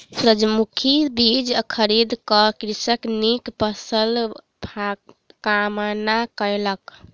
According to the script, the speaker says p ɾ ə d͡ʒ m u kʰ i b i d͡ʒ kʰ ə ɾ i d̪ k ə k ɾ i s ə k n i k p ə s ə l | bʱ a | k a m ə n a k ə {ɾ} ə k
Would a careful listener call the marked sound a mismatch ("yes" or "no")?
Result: yes